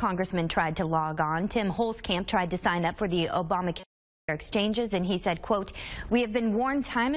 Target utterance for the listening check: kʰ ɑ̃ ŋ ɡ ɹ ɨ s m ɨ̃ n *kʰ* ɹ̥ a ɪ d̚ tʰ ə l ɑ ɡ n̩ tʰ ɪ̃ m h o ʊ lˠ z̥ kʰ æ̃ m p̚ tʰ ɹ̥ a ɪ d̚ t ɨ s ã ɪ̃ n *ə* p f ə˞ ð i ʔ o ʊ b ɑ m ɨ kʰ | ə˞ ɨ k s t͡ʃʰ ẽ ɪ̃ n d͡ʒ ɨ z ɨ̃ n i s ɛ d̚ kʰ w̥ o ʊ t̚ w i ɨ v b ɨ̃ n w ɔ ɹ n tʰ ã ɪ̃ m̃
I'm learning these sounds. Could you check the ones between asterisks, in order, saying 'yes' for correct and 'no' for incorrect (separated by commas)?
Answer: no, no